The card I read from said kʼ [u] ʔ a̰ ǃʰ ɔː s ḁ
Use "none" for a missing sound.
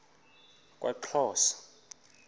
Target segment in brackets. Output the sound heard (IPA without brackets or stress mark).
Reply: w